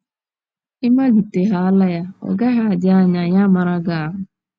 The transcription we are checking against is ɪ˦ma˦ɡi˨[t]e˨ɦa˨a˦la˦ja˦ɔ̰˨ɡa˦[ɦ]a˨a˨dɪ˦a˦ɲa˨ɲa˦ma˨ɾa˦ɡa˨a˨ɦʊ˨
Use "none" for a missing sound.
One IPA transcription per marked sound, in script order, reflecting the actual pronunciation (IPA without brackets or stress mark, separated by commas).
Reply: t, ɦ